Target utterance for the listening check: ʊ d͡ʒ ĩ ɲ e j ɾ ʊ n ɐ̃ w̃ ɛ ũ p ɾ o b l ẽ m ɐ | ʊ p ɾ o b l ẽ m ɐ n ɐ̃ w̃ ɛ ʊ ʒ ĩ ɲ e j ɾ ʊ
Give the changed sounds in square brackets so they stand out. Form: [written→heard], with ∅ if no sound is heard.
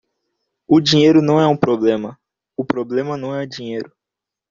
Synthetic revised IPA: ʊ d͡ʒ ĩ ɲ e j ɾ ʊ n ɐ̃ w̃ ɛ ũ p ɾ o b l ẽ m ɐ | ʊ p ɾ o b l ẽ m ɐ n ɐ̃ w̃ ɛ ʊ [ʒ→d͡ʒ] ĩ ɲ e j ɾ ʊ